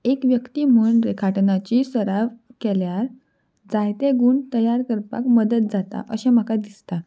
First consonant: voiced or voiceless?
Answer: voiceless